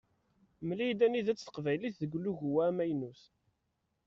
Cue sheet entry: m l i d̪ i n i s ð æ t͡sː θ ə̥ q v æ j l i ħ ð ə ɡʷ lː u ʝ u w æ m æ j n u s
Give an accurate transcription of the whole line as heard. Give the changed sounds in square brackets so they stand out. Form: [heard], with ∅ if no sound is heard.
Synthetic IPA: m l i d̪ [æ] n i [∅] ð æ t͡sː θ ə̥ q v æ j l i [θ] ð ə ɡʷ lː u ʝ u w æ m æ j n u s